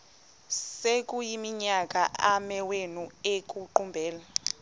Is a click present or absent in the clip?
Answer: present